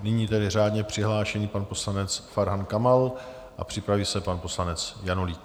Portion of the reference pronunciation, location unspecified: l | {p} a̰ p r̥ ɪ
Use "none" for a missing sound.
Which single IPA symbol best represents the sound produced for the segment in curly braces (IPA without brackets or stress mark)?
ʔ